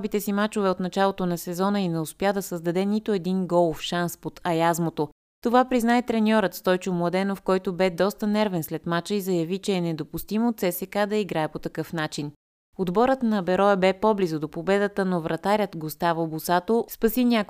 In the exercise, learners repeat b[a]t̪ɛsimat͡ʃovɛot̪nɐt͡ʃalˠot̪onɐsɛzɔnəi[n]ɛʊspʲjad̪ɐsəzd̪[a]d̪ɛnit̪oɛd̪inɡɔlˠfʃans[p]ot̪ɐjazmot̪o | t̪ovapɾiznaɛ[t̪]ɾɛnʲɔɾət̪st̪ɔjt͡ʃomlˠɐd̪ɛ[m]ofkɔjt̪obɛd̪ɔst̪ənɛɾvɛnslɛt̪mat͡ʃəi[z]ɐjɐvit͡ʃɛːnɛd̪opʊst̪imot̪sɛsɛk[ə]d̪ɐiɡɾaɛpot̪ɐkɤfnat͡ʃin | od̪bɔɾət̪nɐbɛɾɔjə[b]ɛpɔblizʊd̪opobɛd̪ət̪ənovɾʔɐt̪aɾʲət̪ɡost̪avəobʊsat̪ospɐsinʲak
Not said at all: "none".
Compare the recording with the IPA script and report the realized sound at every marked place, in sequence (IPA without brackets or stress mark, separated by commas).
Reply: i, n, ɐ, p, t̪, n, z, a, b